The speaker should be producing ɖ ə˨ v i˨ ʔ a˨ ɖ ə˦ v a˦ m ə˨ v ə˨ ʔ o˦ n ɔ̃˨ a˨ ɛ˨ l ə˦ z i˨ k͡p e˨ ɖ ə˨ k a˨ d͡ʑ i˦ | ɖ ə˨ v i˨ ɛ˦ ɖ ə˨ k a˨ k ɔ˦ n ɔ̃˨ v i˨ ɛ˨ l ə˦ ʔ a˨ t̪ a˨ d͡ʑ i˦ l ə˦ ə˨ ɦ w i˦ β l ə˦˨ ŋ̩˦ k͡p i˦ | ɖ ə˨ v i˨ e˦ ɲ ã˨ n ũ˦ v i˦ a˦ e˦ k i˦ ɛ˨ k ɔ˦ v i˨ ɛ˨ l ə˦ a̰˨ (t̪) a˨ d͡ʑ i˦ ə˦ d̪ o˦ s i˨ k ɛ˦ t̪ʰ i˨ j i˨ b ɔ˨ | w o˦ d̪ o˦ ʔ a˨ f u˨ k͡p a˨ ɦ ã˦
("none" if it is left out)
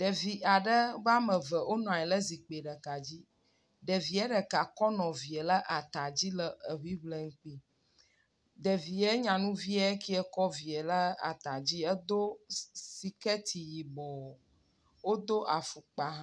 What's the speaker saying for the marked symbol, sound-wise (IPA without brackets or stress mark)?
t̪